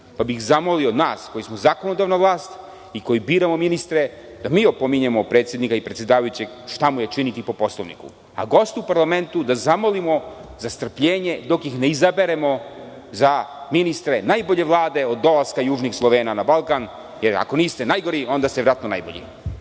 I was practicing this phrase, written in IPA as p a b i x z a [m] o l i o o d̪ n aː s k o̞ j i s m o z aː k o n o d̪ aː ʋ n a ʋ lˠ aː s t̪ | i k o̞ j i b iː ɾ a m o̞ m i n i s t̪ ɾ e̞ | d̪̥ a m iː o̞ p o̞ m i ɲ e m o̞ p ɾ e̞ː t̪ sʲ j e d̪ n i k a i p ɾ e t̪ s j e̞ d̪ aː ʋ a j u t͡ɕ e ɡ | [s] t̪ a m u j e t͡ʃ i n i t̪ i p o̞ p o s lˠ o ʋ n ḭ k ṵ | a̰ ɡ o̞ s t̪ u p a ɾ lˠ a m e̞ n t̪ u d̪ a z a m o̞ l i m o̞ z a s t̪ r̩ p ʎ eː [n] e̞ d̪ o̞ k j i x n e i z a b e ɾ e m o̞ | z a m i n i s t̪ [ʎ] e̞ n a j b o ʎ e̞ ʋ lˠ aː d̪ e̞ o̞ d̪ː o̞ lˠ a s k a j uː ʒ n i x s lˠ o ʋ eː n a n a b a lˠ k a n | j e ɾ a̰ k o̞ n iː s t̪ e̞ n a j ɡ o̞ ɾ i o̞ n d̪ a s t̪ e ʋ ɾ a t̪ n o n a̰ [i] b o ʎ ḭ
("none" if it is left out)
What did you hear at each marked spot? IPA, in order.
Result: m, ʃ, ɲ, ɾ, j

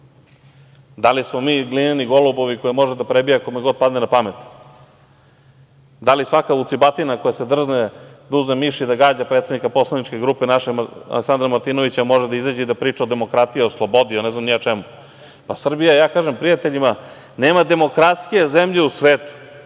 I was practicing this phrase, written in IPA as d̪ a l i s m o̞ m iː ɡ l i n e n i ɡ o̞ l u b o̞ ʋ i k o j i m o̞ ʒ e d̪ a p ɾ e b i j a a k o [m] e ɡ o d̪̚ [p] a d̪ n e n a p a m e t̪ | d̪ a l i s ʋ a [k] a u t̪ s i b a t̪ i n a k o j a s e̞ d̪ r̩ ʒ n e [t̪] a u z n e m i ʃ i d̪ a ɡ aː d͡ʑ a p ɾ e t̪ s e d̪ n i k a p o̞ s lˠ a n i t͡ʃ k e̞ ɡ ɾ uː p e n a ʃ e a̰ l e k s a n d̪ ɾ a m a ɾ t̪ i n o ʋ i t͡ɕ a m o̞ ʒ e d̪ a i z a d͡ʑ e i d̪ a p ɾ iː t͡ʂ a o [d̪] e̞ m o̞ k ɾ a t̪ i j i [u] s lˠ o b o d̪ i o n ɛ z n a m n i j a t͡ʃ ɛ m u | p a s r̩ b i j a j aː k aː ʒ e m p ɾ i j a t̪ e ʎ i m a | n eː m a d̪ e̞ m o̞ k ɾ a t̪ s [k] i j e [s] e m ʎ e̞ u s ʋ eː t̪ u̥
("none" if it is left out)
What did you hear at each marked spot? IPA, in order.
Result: m, p, k, d̪, d̪, o, k, z

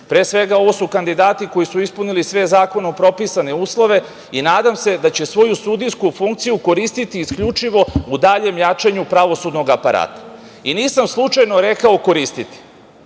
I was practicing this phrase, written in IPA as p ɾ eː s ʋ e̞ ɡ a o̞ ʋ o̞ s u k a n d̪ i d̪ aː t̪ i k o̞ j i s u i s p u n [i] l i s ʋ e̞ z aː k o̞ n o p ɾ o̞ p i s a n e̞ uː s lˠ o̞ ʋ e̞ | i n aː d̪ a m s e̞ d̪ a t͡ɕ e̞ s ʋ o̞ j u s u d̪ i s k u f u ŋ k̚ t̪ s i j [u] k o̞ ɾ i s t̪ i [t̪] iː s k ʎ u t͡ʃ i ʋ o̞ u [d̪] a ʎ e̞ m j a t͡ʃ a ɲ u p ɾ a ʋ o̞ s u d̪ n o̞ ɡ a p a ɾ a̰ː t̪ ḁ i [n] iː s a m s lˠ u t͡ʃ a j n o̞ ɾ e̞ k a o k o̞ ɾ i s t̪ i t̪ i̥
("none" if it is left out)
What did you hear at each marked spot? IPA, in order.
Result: i, u, t̪, d̪, n

